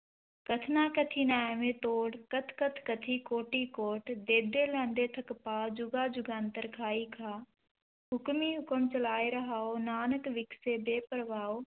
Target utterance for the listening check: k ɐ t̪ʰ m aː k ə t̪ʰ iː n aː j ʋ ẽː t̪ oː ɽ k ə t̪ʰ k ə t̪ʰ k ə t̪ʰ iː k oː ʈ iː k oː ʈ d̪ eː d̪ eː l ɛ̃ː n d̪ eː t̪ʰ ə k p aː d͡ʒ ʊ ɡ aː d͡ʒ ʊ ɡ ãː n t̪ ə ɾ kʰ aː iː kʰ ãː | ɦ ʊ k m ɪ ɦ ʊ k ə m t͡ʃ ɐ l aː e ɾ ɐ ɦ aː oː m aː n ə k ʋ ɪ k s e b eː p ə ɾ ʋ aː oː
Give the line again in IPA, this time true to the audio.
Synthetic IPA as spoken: k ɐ t̪ʰ n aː k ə t̪ʰ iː n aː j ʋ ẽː t̪ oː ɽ k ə t̪ʰ k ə t̪ʰ k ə t̪ʰ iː k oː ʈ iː k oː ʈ d̪ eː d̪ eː l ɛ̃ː n d̪ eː t̪ʰ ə k p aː d͡ʒ ʊ ɡ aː d͡ʒ ʊ ɡ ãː n t̪ ə ɾ kʰ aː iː kʰ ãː | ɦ ʊ k m i ɦ ʊ k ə m t͡ʃ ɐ l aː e ɾ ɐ ɦ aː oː n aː n ə k ʋ ɪ k s e b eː p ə ɾ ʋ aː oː

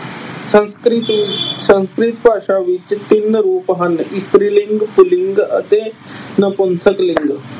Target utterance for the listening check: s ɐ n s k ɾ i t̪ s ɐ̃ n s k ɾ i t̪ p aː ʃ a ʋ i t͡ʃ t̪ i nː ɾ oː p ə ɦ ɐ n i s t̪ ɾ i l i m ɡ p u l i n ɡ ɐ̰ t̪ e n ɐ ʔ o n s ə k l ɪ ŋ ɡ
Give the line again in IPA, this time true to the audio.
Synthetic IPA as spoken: s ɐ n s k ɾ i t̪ s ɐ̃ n s k ɾ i t̪ p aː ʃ a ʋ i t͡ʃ t̪ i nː ɾ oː p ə ɦ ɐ n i s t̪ ɾ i l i ŋ ɡ p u l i ŋ ɡ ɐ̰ t̪ e n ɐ p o n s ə k l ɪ ŋ ɡ

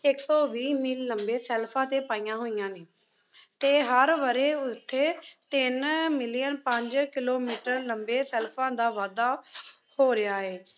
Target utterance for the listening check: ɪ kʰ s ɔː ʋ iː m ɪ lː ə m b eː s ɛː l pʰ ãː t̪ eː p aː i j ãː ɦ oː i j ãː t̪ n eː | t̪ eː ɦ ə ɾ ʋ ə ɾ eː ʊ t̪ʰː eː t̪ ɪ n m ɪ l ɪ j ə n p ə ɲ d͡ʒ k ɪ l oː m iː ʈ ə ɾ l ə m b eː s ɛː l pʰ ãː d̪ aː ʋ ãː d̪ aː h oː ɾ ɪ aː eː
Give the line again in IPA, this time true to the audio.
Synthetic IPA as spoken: ɪ k s ɔː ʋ iː m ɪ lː ə m b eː s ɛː l pʰ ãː t̪ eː p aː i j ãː ɦ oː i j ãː n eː | t̪ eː ɦ ə ɾ ʋ ə ɾ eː ʊ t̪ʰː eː t̪ ɪ n m ɪ l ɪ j ə n p ə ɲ d͡ʒ k ɪ l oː m iː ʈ ə ɾ l ə m b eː s ɛː l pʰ ãː d̪ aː ʋ aː d̪ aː h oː ɾ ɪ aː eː

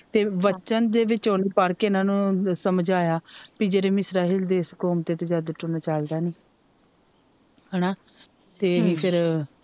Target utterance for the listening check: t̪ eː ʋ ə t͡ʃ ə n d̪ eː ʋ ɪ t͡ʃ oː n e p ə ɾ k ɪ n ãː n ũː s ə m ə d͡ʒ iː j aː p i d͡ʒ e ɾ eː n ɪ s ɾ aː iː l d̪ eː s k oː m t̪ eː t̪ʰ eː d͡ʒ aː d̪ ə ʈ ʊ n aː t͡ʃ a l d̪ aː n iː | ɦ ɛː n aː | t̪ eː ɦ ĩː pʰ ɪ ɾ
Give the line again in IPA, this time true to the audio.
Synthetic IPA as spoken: t̪ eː ʋ ə t͡ʃ ə n d̪ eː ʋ ɪ t͡ʃ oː n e p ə ɾ k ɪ n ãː n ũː s ə m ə d͡ʒ aː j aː p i d͡ʒ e ɾ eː m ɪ s ɾ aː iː l d̪ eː s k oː m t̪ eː t̪ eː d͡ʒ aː d̪ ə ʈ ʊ n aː t͡ʃ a l d̪ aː n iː | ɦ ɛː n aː | t̪ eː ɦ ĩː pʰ ɪ ɾ

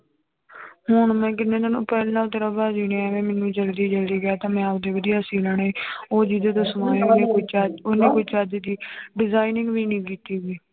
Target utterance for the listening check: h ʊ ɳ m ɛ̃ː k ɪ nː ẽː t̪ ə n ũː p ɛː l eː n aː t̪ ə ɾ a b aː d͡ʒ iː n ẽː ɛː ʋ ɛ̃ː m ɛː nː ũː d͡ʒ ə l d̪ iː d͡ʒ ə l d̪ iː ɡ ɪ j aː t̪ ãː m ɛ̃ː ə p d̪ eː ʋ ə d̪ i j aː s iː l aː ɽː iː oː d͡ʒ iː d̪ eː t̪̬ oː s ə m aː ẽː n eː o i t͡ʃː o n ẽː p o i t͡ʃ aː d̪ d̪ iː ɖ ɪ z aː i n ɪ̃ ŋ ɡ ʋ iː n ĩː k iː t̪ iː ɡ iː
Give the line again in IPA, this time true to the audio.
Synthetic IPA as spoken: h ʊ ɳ m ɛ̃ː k ɪ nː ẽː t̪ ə n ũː p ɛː l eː n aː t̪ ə ɾ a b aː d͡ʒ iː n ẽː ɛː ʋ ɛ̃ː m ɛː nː ũː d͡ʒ ə l d̪ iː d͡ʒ ə l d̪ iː ɡ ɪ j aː t̪ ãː m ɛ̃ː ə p d̪ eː ʋ ə d̪ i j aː s iː l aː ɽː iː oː d͡ʒ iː d̪ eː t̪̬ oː s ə m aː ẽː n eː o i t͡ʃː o n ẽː k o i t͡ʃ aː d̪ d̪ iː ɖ ɪ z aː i n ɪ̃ ŋ ɡ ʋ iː n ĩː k iː t̪ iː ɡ iː

